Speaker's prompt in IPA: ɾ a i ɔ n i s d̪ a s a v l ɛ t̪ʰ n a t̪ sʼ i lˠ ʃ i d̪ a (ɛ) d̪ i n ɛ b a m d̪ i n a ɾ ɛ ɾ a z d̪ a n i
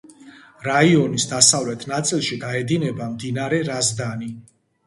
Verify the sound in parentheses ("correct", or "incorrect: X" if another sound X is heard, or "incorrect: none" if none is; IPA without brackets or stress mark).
correct